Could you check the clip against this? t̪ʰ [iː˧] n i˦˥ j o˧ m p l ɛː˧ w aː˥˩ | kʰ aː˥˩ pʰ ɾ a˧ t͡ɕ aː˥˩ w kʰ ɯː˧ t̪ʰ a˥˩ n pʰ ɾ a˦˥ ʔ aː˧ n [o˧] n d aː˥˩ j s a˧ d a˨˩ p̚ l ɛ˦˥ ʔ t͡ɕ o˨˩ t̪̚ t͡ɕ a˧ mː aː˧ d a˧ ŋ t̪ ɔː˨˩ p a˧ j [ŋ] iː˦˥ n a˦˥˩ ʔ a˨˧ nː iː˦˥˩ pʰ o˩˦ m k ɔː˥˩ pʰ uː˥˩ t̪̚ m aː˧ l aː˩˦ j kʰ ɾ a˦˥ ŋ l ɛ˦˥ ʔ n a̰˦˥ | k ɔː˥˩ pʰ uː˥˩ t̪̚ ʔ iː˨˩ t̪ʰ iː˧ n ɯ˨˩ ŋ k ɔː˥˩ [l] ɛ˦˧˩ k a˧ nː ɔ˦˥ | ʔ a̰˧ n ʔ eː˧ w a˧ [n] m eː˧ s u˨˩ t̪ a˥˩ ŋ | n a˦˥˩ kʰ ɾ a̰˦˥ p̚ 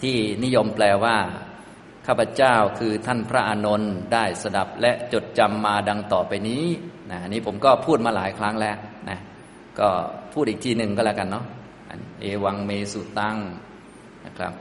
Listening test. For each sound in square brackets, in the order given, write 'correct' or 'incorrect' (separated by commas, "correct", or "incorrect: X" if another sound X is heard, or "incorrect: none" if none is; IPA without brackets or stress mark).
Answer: incorrect: iː˥˩, correct, incorrect: n, correct, incorrect: ŋ